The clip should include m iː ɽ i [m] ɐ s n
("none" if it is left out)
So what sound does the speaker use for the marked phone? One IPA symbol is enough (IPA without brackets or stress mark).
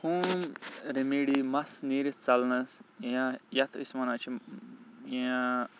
m